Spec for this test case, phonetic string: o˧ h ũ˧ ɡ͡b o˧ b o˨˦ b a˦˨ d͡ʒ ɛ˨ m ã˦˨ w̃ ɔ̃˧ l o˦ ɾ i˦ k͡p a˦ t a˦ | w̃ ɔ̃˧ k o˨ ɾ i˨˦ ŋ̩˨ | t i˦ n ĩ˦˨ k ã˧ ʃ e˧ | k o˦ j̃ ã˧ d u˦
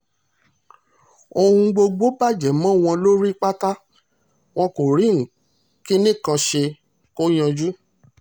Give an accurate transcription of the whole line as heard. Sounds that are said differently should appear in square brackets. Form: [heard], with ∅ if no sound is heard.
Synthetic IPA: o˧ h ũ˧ ɡ͡b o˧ [ɡ͡b] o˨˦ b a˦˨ d͡ʒ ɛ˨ m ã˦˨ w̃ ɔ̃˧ l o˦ ɾ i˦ k͡p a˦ t a˦ | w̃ ɔ̃˧ k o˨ ɾ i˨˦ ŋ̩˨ | [k] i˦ n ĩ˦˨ k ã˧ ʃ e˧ | k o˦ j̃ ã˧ [d͡ʒ] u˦